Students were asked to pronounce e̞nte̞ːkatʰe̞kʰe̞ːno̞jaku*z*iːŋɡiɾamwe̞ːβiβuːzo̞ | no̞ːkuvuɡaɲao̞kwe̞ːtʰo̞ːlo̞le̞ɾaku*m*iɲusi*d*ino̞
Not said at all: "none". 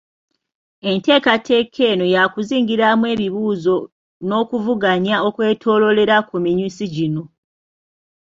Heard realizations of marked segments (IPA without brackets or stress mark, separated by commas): z, m, ɟ